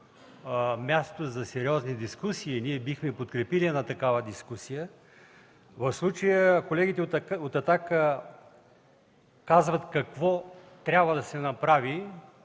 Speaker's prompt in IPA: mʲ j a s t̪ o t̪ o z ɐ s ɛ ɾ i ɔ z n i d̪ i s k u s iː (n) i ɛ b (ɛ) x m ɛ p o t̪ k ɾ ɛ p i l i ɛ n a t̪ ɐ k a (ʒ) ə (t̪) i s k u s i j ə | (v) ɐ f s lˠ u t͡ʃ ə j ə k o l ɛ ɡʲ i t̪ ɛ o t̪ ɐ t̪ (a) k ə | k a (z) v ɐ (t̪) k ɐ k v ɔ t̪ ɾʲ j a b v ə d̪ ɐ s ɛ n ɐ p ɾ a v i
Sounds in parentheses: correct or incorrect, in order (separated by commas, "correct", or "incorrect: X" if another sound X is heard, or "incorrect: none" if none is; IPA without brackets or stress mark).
correct, incorrect: i, incorrect: v, incorrect: d̪, correct, correct, correct, correct